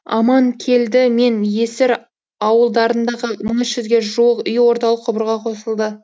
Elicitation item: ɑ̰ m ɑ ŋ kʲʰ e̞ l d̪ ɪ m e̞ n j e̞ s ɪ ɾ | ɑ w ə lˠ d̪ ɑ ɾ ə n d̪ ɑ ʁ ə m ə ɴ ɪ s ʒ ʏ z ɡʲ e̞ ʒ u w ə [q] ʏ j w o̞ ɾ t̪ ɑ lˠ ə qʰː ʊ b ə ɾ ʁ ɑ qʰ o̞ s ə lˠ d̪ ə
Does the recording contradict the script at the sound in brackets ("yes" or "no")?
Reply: no